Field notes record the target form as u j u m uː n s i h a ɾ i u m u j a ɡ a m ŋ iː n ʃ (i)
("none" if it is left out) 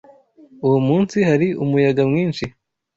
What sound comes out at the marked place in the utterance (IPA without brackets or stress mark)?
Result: i